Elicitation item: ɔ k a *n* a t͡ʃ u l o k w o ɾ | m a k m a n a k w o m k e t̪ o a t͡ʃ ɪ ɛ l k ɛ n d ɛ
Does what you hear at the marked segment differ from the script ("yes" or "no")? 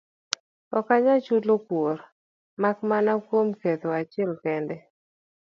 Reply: yes